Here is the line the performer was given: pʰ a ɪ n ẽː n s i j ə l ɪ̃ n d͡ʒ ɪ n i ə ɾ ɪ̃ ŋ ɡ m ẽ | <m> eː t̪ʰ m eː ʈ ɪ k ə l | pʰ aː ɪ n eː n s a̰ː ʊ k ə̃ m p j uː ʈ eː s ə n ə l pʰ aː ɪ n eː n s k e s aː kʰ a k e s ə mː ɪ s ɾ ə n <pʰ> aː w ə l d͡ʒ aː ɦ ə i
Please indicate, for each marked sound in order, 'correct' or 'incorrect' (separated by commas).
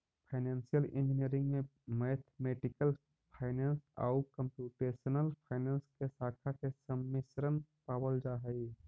correct, incorrect